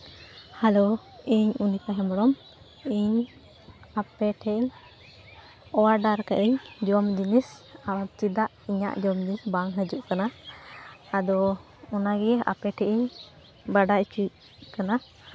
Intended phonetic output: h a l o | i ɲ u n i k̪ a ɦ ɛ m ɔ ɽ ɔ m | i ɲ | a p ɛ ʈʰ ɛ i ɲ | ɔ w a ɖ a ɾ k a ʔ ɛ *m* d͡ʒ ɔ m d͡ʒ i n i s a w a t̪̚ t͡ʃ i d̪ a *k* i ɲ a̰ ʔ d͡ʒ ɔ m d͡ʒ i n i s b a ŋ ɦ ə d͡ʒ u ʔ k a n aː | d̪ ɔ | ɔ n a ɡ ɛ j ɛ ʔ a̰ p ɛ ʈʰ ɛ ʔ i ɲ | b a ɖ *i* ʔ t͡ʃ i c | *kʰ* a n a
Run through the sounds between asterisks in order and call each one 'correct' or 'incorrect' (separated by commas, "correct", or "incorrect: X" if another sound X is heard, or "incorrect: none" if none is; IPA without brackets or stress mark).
incorrect: ɲ, incorrect: ʔ, incorrect: a, incorrect: k